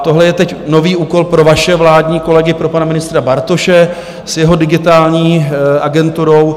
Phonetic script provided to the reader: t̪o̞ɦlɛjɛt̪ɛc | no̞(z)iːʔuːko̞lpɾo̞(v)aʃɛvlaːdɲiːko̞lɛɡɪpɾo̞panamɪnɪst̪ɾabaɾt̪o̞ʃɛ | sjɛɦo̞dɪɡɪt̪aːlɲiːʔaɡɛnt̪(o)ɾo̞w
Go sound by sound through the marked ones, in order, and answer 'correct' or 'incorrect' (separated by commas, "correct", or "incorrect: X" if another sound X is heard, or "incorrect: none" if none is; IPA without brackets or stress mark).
incorrect: v, correct, incorrect: u